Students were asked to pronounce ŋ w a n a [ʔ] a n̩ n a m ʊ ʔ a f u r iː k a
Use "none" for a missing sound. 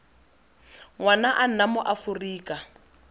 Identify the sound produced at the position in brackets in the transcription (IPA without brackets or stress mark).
ʔ